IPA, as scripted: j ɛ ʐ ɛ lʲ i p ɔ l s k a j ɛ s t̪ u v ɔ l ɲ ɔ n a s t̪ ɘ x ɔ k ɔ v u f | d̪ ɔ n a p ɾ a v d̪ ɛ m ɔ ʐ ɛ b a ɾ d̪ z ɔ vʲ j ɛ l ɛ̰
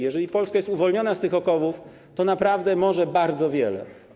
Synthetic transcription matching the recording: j ɛ ʐ ɛ lʲ i p ɔ l s k a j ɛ s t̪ u v ɔ l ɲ ɔ n a s t̪ ɘ x ɔ k ɔ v u f | t̪ ɔ n a p ɾ a v d̪ ɛ m ɔ ʐ ɛ b a ɾ d̪ z ɔ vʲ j ɛ l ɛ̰

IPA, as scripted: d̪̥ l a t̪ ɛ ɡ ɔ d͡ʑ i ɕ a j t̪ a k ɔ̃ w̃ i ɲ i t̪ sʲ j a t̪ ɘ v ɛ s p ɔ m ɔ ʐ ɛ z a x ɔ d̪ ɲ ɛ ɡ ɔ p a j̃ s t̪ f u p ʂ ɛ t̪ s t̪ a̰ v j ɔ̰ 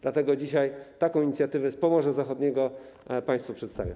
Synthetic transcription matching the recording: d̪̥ l a t̪ ɛ ɡ ɔ d͡ʑ i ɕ a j t̪ a k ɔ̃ w̃ i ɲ i t̪ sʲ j a t̪ ɘ v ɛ s p ɔ m ɔ ʐ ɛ z a x ɔ d̪ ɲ ɛ ɡ ɔ p a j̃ s t̪ f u p ʂ ɛ t̪ s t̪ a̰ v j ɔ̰

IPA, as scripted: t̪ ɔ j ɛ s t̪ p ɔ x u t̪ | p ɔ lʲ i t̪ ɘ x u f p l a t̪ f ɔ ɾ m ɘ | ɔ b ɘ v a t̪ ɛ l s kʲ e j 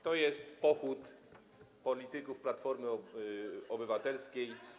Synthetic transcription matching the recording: t̪ ɔ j ɛ s t̪ p ɔ x u t̪ | p ɔ lʲ i t̪ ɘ k u f p l a t̪ f ɔ ɾ m ɘ | ɔ b ɘ v a t̪ ɛ l s kʲ e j

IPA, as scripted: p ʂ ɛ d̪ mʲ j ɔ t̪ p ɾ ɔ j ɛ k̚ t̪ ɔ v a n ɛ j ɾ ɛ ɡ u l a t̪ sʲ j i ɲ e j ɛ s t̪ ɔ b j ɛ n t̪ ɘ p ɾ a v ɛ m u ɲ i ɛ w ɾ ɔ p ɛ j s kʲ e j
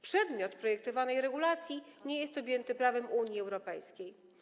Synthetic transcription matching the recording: p ʂ ɛ d̪ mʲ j ɔ t̪ p ɾ ɔ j ɛ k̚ t̪ ɔ v a n ɛ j ɾ ɛ ɡ u l a t̪ sʲ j i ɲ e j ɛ s t̪ ɔ b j ɛ n t̪ ɘ p ɾ a v ɛ m u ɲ i ɛ w ɾ ɔ p ɛ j s kʲ e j

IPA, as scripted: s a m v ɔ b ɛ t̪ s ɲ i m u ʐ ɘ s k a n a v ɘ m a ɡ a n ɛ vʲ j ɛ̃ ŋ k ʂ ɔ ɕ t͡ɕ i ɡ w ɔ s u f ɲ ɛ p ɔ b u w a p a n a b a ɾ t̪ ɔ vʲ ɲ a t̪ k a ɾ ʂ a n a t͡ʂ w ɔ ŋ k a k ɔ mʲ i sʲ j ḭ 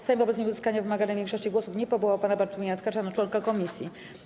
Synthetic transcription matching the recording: s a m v ɔ b ɛ t̪ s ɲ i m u z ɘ s k a ɲ a v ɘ m a ɡ a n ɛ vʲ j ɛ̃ ŋ k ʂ ɔ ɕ t͡ɕ i ɡ w ɔ s u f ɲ ɛ p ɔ b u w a p a n a b a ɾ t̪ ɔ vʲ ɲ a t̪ k a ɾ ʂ a n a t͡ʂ w ɔ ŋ k a k ɔ mʲ i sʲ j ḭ

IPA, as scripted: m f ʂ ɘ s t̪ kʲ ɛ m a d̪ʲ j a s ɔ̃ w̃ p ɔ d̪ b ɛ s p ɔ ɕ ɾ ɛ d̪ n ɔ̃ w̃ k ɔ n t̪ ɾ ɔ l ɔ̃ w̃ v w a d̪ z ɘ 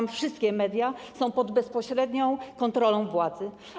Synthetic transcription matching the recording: m f ʂ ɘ s t̪ kʲ ɛ m ɛ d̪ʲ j a s ɔ̃ w̃ p ɔ d̪ b ɛ s p ɔ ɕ ɾ ɛ d̪ ɲ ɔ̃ w̃ k ɔ n t̪ ɾ ɔ l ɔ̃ w̃ v w a d̪ z ɘ

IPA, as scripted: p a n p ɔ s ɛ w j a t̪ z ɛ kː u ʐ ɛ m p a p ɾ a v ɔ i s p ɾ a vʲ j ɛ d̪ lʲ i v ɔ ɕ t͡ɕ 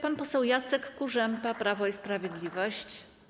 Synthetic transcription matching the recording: p a n p ɔ s ɛ w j a t̪ s ɛ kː u ʐ ɛ m p a p ɾ a v ɔ i s p ɾ a vʲ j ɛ d̪ lʲ i v ɔ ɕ t͡ɕ

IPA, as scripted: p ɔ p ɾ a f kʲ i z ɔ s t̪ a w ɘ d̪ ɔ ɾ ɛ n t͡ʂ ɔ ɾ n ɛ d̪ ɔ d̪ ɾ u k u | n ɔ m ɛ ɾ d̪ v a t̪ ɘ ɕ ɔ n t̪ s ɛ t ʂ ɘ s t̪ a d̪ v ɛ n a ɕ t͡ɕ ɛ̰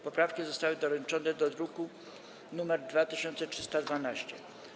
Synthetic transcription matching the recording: p ɔ p ɾ a f kʲ i z ɔ s t̪ a w ɘ d̪ ɔ ɾ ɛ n t͡ʂ ɔ n ɛ d̪ ɔ d̪ ɾ u k u | n u m ɛ ɾ d̪ v a t̪ ɘ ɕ ɔ n t̪ s ɛ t ʂ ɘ s t̪ a d̪ v a n a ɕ t͡ɕ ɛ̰

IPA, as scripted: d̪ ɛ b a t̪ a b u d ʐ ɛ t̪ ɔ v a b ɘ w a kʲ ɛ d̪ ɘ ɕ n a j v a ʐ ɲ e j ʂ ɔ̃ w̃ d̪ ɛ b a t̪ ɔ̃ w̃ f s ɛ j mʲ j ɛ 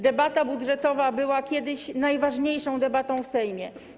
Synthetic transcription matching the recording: d̪ ɛ b a t̪ a b u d ʐ ɛ t̪ ɔ v a b ɘ w a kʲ ɛ d̪ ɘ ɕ n a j v a ʐ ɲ e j ʂ ɔ̃ w̃ d̪ ɛ b a t̪ ɔ̃ w̃ f s ɛ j mʲ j ɛ

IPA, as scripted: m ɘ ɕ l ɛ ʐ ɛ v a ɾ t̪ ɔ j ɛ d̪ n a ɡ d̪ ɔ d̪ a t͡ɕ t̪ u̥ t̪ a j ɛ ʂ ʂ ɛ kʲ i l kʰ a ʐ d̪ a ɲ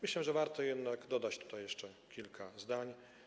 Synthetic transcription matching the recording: m ɘ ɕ l ɛ ʐ ɛ v a ɾ t̪ ɔ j ɛ d̪ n a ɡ d̪ ɔ d̪ a t͡ɕ t̪ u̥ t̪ a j ɛ ʂ t͡ʂ ɛ kʲ i l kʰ a z d̪ a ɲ

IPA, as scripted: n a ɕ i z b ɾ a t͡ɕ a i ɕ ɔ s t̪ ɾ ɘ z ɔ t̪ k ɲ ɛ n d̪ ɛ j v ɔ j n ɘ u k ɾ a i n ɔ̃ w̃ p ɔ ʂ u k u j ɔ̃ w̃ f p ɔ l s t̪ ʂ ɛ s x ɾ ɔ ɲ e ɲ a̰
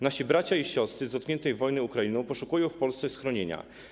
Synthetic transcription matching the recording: n a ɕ i b ɾ a t͡ɕ a i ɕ ɔ s t̪ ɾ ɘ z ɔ t̪ k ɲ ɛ n t̪ ɛ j v ɔ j n ɘ u k ɾ a i n ɔ̃ w̃ p ɔ ʂ u k u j ɔ̃ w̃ f p ɔ l s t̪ s ɛ s x ɾ ɔ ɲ e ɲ a̰

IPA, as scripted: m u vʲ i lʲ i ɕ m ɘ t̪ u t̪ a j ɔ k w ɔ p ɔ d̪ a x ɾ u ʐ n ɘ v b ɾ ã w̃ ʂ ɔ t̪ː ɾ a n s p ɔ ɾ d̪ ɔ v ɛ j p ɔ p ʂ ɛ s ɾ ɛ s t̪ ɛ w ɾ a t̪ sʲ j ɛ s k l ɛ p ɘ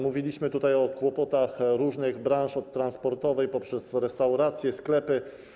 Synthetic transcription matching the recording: m u vʲ i lʲ i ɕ m ɘ t̪ u t̪ a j ɔ k w ɔ p ɔ t̪ a x ɾ u ʐ n ɘ ɣ b ɾ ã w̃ ʂ ɔ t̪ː ɾ a n s p ɔ ɾ t̪ ɔ v ɛ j p ɔ p ʂ ɛ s ɾ ɛ s t̪ a w ɾ a t̪ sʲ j ɛ s k l ɛ p ɘ

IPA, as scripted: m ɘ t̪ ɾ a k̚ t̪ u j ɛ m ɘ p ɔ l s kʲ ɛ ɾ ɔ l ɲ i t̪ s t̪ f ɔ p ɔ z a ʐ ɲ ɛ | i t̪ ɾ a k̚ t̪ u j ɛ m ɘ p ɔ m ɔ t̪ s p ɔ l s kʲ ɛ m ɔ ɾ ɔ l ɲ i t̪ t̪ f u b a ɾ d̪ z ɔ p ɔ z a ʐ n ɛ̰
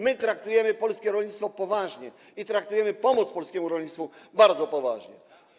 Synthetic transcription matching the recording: m ɘ t̪ ɾ a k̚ t̪ u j ɛ m ɘ p ɔ l s kʲ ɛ ɾ ɔ l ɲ i t̪ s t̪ f ɔ p ɔ v a ʐ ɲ ɛ | i t̪ ɾ a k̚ t̪ u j ɛ m ɘ p ɔ m ɔ t̪ s p ɔ l s kʲ ɛ m u ɾ ɔ l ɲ i t̪ t̪ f u b a ɾ d̪ z ɔ p ɔ v a ʐ ɲ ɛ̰

